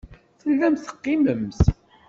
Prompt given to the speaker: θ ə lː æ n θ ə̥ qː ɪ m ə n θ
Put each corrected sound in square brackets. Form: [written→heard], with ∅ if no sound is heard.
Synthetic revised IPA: θ ə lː æ [n→m] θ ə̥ qː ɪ m ə [n→m] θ